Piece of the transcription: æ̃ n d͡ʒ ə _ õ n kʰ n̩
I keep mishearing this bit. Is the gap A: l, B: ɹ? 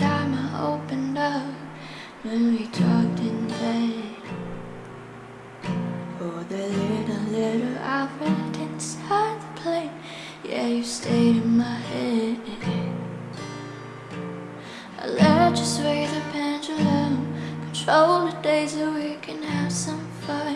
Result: A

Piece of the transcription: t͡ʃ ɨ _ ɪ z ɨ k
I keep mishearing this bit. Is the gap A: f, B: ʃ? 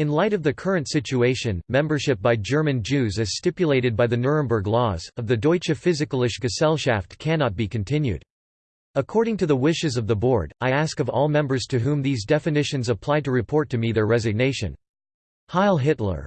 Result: A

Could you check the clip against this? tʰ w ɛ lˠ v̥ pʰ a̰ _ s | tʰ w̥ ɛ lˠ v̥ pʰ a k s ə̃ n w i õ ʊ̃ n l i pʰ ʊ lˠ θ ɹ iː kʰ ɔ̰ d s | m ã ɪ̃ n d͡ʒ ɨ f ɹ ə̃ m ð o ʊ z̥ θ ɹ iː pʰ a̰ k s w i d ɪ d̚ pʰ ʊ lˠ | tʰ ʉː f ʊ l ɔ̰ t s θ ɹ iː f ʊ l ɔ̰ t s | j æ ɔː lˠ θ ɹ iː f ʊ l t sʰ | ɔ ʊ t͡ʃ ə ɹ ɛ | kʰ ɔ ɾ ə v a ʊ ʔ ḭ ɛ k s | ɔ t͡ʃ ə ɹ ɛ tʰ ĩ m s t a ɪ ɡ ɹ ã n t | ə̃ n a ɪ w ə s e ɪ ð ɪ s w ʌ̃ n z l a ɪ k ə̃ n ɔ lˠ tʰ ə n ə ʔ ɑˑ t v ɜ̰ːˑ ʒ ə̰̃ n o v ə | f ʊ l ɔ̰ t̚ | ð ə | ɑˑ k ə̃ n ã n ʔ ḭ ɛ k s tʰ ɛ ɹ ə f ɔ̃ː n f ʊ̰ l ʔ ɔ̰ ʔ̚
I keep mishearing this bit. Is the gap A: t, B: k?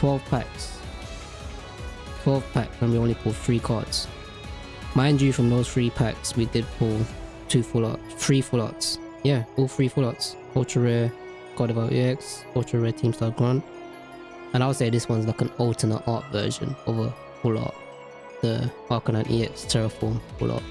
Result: B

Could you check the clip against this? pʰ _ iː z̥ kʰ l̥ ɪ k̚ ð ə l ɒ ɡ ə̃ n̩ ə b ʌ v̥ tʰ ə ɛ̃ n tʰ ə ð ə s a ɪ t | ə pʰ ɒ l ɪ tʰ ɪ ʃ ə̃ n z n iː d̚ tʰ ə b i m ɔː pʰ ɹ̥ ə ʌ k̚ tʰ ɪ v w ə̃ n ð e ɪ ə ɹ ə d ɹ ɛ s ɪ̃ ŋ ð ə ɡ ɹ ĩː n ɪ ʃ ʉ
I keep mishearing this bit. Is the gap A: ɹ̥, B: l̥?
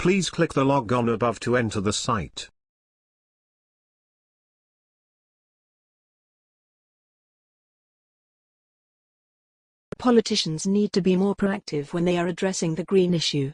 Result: B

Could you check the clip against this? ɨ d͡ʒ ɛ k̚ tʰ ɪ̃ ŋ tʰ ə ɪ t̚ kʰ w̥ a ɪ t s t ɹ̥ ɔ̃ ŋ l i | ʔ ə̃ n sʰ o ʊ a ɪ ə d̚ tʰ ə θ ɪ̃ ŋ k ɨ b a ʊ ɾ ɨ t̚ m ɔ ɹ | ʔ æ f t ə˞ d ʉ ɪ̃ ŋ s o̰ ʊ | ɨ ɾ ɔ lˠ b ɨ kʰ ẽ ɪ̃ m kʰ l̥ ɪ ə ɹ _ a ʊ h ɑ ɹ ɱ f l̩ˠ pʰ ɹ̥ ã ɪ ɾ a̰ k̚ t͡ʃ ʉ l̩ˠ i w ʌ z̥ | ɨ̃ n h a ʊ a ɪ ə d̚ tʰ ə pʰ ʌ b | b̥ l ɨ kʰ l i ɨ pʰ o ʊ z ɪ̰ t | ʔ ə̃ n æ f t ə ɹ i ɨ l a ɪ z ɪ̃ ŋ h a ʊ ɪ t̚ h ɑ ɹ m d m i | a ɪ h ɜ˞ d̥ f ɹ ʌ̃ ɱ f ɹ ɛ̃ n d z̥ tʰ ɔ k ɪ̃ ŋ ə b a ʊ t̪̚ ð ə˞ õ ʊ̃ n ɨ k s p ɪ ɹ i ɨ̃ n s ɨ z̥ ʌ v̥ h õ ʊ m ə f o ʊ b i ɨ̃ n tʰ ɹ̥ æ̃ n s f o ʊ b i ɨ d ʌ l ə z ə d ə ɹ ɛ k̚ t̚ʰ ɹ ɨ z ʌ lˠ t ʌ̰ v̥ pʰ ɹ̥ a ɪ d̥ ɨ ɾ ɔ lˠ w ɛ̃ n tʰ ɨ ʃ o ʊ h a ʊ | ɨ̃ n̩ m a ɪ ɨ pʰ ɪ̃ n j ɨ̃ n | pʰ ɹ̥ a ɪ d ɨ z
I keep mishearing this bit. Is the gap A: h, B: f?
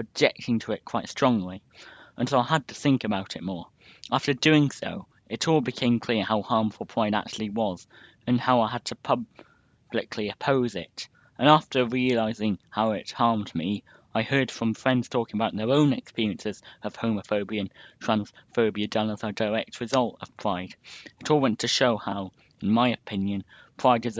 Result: A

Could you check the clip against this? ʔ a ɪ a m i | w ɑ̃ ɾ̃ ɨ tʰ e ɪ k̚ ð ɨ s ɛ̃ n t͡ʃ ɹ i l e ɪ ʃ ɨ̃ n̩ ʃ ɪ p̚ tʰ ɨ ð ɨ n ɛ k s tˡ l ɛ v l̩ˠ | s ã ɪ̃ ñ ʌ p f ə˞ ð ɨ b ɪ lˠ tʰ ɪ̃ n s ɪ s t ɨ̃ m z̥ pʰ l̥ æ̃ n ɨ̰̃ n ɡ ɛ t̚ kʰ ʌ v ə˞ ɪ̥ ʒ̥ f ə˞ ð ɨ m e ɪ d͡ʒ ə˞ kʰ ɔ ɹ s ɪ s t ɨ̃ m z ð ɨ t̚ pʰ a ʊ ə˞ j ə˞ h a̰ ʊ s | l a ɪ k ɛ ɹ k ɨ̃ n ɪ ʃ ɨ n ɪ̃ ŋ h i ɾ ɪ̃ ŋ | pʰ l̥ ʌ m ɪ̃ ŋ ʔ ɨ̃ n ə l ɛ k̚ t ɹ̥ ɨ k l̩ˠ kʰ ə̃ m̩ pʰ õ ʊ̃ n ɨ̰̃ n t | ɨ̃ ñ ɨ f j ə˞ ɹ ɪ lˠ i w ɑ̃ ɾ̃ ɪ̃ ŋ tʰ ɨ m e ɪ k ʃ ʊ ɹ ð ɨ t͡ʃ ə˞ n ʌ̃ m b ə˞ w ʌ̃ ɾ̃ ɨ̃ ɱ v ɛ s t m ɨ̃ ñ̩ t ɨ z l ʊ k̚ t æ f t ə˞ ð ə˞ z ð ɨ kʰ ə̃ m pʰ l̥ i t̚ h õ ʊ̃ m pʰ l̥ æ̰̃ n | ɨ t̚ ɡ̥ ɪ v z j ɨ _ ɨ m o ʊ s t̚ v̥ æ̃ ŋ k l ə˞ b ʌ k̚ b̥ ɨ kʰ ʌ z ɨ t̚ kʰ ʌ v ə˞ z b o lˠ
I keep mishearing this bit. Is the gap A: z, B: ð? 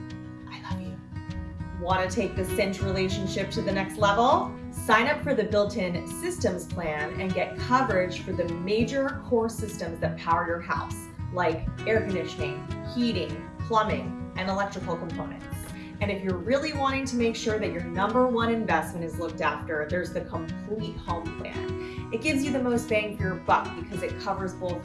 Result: B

